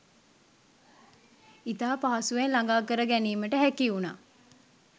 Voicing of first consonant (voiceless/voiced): voiceless